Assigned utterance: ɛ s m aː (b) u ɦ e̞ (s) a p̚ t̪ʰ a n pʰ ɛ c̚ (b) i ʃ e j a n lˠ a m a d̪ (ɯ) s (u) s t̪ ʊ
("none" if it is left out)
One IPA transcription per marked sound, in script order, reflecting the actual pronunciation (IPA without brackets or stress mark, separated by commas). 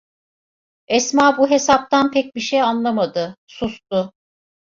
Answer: b, s, b, ɯ, u